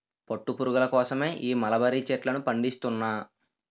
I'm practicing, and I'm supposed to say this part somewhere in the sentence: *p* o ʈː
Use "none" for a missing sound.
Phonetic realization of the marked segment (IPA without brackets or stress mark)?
p